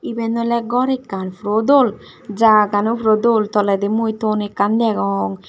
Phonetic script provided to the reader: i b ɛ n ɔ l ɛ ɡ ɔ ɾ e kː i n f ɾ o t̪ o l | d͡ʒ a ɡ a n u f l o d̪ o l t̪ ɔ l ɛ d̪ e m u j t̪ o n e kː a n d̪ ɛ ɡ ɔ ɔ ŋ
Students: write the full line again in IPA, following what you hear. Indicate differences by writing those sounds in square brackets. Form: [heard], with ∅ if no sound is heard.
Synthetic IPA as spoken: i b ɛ n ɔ l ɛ ɡ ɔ ɾ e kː [a] n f ɾ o [d̪] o l | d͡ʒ a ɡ a n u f [ɾ] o d̪ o l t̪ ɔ l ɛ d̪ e m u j t̪ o n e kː a n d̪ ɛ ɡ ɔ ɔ ŋ

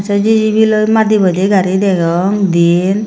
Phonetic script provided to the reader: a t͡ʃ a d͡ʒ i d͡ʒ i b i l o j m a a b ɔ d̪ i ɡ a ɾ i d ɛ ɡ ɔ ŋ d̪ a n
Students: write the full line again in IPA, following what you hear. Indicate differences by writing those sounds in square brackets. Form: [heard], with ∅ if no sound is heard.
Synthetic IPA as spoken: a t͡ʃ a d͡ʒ i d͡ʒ i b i l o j m a [i] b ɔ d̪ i ɡ a ɾ i d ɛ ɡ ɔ ŋ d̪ [i] n

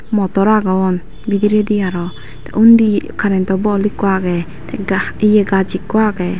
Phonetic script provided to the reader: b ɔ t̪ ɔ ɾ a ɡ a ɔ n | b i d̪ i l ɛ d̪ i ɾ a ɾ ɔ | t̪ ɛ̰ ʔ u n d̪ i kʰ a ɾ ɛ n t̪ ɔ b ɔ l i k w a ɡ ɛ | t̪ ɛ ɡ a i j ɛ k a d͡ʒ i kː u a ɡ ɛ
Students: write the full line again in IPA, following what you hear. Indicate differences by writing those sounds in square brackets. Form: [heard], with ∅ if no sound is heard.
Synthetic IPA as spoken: [m] ɔ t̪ ɔ ɾ a ɡ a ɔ n | b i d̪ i [ɾ] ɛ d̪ i [∅] a ɾ ɔ | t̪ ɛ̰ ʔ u n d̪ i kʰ a ɾ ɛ n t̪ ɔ b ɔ l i k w a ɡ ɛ | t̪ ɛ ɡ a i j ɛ [ɡ] a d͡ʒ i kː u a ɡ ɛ

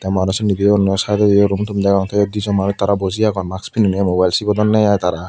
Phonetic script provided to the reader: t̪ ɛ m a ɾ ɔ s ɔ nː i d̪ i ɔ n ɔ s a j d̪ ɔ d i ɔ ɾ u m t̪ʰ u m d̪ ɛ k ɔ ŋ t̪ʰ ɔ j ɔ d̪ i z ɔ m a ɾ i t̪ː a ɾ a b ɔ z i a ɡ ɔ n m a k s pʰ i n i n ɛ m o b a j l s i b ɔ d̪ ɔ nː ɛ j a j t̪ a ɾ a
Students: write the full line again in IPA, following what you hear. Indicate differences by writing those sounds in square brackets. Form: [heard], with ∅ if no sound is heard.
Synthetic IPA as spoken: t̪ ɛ m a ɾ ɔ s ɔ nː i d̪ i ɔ n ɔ s a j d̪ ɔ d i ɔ ɾ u m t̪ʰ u m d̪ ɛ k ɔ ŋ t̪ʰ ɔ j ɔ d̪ i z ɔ m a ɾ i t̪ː a ɾ a b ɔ z i a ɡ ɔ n m a k s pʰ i n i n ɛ m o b a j l s i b ɔ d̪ ɔ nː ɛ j a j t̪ a ɾ a

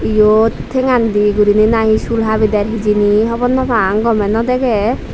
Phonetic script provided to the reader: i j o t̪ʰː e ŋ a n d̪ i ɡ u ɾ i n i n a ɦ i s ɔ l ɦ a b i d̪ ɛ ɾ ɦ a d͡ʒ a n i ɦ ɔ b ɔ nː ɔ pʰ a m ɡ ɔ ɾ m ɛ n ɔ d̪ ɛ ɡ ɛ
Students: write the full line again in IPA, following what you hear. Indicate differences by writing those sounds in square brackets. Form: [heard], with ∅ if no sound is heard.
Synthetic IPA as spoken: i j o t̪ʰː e ŋ a n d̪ i ɡ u ɾ i n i n a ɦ i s [u] l ɦ a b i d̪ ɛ ɾ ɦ [i] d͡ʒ [i] n i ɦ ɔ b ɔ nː ɔ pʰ a [ŋ] ɡ ɔ [∅] m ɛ n ɔ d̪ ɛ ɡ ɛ

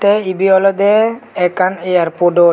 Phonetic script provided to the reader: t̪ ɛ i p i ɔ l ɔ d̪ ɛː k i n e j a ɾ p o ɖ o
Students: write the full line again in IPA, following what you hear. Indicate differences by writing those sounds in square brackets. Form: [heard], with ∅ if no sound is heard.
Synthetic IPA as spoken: t̪ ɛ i [b] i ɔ l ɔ d̪ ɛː k [a] n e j a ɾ p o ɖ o

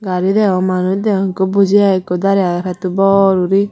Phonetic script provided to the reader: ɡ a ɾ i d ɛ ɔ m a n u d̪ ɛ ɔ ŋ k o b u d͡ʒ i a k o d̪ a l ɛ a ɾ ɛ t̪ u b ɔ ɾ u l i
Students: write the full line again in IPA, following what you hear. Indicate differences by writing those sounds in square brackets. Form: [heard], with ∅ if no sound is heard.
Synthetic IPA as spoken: ɡ a ɾ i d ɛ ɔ m a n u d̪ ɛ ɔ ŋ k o b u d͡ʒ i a k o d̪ a [ɾ] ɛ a ɾ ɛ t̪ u b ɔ ɾ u [ɾ] i

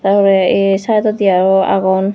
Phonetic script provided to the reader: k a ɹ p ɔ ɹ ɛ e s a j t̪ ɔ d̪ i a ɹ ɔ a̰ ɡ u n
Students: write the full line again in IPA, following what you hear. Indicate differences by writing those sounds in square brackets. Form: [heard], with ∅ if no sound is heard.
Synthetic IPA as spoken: [t] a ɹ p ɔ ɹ ɛ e s a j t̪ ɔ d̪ i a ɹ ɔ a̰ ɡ [ɔ] n

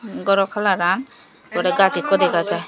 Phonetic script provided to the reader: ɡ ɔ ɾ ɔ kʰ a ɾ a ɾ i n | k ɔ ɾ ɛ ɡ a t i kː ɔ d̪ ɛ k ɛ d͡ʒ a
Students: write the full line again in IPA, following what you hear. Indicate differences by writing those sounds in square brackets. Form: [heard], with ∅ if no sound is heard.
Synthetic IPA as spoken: ɡ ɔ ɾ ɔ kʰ a [l] a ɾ [a] n | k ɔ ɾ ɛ ɡ a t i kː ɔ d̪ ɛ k [a] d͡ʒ a

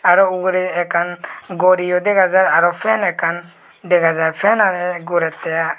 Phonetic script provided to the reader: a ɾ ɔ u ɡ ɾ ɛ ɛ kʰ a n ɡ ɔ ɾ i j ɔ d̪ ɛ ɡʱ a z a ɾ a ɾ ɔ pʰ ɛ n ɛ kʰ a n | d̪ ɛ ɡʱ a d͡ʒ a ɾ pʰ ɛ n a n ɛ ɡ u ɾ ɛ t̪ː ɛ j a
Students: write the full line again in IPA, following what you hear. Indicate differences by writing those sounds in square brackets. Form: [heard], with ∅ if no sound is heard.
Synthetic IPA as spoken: a ɾ ɔ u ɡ ɾ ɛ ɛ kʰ a n ɡ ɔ ɾ i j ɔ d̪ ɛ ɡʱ a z a ɾ a ɾ ɔ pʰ ɛ n ɛ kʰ a n | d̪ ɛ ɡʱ a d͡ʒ a ɾ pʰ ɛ n a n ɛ ɡ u ɾ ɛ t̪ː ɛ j a

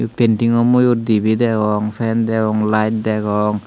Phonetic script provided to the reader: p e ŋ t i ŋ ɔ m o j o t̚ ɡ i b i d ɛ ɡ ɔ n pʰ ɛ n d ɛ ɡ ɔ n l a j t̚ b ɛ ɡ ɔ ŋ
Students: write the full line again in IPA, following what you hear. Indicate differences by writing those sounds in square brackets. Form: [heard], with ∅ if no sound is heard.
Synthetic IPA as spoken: p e [n] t i ŋ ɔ m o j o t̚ [d] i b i d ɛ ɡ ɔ [ŋ] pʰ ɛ n d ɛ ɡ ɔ [ŋ] l a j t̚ [d] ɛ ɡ ɔ ŋ

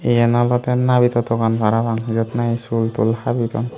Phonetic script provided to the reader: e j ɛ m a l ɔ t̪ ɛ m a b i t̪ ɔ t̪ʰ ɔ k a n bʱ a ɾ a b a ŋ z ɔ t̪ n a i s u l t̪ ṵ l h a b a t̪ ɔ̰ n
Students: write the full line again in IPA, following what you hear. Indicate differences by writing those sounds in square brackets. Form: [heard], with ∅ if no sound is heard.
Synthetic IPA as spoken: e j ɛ [n] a l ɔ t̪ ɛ [n] a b i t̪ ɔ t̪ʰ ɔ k a n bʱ a ɾ a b a ŋ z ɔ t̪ n a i s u l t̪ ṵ l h a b [i] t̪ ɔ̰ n

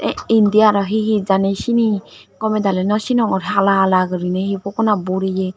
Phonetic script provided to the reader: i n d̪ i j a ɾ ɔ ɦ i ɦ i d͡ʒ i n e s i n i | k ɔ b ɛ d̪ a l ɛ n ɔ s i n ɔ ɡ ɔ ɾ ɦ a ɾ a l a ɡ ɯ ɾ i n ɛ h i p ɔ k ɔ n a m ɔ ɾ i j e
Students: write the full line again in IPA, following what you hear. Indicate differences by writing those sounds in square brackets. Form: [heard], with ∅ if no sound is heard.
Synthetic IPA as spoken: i n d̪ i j a ɾ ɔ ɦ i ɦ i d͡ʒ [a] n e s i n i | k ɔ [m] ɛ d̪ a l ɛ n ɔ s i n ɔ [ŋ] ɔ ɾ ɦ a [l] a l a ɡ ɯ ɾ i n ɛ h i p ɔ k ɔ n a [b] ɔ ɾ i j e

